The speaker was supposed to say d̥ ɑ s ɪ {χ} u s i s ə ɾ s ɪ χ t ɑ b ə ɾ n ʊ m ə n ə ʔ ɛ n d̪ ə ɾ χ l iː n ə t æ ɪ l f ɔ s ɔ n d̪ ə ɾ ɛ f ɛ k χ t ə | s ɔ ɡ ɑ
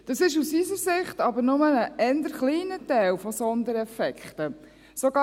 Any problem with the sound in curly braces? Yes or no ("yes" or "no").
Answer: yes